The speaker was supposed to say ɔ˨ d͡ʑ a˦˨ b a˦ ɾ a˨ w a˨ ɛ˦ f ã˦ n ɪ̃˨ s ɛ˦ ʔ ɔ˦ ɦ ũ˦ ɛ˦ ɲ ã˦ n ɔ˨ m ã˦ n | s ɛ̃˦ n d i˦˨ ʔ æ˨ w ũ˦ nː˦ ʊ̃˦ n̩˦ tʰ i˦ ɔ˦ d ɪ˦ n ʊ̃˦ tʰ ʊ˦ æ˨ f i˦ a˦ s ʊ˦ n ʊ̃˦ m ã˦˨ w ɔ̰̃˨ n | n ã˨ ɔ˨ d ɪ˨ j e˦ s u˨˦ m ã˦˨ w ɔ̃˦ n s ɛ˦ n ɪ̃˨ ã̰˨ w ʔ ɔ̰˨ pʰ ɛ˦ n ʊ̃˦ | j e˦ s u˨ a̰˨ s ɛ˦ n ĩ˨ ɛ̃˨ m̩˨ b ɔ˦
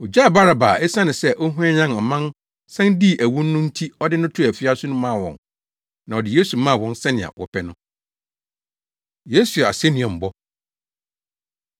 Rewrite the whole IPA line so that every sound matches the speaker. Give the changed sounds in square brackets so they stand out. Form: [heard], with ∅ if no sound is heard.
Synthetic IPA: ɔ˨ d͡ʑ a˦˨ b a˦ ɾ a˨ [b] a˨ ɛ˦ [s] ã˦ n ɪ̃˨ s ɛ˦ ʔ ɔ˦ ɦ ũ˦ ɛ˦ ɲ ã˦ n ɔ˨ m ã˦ n | s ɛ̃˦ n d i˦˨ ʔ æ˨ w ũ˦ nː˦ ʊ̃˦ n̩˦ tʰ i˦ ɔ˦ d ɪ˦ n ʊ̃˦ tʰ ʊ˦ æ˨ f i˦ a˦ s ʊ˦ n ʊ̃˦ m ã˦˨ w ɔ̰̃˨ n | n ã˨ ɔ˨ d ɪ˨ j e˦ s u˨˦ m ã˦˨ w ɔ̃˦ n s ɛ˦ n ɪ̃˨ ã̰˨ w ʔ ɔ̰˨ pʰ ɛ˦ n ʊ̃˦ | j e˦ s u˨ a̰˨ s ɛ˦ n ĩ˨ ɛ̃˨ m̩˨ b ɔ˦